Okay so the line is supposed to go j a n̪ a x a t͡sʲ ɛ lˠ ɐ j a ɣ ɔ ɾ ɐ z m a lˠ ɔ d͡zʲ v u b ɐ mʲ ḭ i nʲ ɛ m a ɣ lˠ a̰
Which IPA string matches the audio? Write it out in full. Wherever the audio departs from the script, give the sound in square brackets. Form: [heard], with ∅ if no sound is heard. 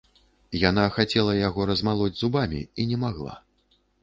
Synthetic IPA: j a n̪ a x a t͡sʲ ɛ lˠ ɐ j a ɣ ɔ ɾ ɐ z m a lˠ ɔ d͡zʲ [z] u b [a] mʲ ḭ i nʲ ɛ m a ɣ lˠ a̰